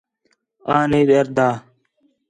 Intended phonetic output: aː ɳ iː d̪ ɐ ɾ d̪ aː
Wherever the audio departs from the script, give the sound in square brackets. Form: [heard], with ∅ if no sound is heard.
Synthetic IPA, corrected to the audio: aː [n] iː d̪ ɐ ɾ d̪ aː